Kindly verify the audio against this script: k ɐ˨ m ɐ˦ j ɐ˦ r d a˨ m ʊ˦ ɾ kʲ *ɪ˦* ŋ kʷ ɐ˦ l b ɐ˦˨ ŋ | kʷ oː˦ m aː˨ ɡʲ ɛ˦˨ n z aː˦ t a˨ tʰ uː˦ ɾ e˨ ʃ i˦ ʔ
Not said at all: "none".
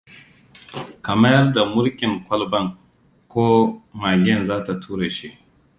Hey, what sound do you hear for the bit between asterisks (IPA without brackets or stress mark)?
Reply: ɪ˨